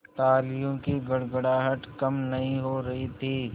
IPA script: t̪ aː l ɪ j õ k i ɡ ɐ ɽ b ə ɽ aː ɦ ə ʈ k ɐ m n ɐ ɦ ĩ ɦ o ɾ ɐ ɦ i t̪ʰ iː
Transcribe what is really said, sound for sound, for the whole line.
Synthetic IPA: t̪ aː l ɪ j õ k i ɡ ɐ ɽ ɡ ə ɽ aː ɦ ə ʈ k ɐ m n ɐ ɦ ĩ ɦ o ɾ ɐ ɦ i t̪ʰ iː